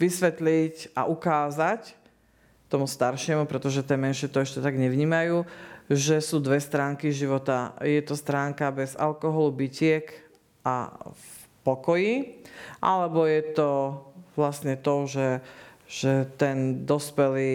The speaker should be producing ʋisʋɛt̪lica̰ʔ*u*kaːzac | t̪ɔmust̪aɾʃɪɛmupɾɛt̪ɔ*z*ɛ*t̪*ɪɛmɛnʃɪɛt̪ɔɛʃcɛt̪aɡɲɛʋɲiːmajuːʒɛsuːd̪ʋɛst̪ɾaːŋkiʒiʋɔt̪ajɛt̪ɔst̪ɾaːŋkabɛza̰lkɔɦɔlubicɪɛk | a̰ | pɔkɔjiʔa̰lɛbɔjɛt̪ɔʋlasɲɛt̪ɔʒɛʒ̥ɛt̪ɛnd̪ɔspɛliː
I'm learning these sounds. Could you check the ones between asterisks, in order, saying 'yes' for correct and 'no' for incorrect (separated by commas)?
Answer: yes, no, yes